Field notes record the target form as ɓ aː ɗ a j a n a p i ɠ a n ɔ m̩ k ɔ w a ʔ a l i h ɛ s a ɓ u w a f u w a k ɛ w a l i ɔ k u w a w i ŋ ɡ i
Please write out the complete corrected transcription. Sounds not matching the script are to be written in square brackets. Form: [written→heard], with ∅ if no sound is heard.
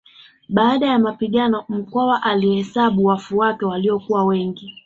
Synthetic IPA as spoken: ɓ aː ɗ a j a [n→m] a p i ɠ a n ɔ m̩ k ɔ w a ʔ a l i h ɛ s a ɓ u w a f u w a k ɛ w a l i ɔ k u w a w [i→ɛ] ŋ ɡ i